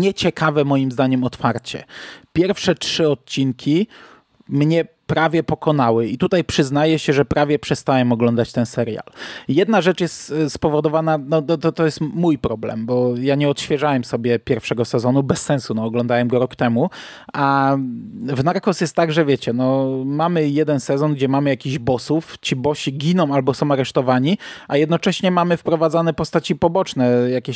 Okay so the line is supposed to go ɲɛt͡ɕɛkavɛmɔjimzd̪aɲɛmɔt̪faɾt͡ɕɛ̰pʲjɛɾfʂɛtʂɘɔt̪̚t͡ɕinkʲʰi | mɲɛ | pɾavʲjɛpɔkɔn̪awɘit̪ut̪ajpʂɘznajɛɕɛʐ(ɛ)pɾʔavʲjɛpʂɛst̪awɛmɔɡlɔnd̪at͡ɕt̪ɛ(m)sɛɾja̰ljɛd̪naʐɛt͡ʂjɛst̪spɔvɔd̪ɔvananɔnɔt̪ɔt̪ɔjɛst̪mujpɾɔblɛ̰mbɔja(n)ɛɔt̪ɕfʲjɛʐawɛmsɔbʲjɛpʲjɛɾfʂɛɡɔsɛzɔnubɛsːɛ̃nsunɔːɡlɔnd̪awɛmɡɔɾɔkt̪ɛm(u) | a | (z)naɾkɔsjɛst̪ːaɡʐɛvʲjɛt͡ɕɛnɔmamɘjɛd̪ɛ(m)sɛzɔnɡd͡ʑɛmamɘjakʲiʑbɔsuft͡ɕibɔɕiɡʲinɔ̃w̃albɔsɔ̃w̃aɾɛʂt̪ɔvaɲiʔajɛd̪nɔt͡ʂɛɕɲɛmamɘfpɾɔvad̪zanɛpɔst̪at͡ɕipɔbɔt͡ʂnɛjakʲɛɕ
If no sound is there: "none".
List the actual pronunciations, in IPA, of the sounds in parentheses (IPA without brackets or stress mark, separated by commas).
ɛ, n, ɲ, u, v, n